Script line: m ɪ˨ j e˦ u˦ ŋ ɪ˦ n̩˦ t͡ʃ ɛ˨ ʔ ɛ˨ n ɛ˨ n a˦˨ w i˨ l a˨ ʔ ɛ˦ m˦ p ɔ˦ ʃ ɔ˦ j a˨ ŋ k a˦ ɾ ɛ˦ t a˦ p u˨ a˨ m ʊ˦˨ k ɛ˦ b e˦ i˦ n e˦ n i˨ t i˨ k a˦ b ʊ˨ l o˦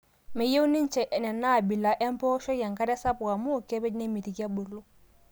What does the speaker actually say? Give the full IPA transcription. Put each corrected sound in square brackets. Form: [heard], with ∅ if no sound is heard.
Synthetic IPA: m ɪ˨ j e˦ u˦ [n] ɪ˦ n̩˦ t͡ʃ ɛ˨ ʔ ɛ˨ n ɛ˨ n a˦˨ [b] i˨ l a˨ ʔ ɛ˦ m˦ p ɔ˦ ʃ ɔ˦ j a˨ ŋ k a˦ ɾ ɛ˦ [s] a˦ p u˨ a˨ m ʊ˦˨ k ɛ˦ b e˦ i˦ n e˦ [m] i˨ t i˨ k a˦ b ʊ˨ l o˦